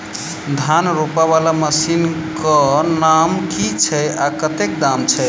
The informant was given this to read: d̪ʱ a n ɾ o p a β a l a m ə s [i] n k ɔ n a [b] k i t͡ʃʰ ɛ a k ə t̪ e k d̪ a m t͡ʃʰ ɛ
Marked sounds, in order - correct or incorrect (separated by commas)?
correct, incorrect